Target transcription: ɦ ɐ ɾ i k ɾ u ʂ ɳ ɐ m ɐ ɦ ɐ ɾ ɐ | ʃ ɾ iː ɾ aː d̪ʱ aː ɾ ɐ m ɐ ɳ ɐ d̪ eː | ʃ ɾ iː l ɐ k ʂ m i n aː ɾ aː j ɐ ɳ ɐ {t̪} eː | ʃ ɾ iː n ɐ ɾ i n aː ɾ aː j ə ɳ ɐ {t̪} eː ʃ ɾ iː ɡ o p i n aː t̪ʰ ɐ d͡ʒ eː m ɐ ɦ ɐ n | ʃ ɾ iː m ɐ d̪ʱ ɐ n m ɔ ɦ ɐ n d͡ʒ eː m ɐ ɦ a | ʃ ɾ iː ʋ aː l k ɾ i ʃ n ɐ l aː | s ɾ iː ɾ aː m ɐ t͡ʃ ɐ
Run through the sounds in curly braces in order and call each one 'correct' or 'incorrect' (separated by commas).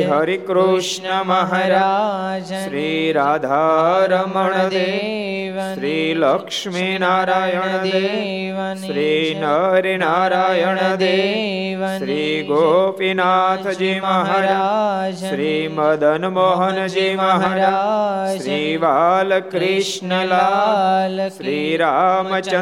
incorrect, incorrect